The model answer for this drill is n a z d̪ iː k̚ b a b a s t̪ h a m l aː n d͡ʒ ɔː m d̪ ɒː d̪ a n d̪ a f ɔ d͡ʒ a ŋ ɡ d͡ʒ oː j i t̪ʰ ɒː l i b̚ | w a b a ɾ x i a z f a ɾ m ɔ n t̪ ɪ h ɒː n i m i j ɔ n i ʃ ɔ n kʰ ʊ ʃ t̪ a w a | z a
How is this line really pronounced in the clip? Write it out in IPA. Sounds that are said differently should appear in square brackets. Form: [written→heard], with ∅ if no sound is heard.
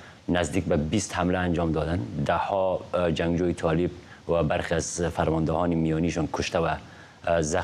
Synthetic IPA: n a z d̪ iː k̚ b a b [a→i] s t̪ h a m l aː n d͡ʒ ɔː m d̪ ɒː d̪ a n d̪ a [f→h] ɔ d͡ʒ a ŋ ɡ d͡ʒ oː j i t̪ʰ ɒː l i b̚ | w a b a ɾ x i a z f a ɾ m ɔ n [t̪→d̪] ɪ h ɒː n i m i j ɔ n i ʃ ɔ n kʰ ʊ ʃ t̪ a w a | z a

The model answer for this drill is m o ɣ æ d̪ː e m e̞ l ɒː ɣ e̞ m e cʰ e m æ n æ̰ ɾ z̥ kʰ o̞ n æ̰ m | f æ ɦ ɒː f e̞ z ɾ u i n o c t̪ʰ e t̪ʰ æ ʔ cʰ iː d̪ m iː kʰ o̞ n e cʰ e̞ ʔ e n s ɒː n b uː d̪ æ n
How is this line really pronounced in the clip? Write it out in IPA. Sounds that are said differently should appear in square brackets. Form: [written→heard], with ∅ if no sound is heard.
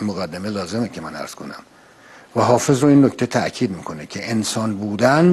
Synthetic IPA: m o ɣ æ d̪ː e m e̞ l ɒː [ɣ→z] e̞ m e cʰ e m æ n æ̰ ɾ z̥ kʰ o̞ n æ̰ m | [f→v] æ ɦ ɒː f e̞ z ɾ [u→o] i [n→nː] o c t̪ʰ e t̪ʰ æ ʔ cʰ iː d̪ m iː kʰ o̞ n e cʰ e̞ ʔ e n s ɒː n b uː d̪ æ n

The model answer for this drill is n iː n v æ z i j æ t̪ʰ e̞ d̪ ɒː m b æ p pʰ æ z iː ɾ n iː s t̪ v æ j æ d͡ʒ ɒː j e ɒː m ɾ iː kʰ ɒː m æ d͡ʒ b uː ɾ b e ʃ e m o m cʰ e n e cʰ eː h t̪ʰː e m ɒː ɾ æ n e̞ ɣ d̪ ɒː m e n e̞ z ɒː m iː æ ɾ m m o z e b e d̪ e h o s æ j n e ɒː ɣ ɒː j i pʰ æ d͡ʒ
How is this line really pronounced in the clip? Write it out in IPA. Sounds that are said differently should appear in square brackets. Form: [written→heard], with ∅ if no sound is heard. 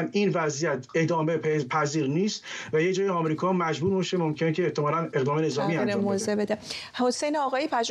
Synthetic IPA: n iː n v æ z i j æ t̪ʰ e̞ d̪ ɒː m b [æ→e] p pʰ æ z iː ɾ n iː s t̪ v æ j [æ→e] d͡ʒ ɒː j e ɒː m ɾ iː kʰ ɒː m æ d͡ʒ b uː ɾ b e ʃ e m o m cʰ e n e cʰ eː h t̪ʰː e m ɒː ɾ æ n e̞ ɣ d̪ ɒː m e n e̞ z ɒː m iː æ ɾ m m o z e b e d̪ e h o s [æ→e] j n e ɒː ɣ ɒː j i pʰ æ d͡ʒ

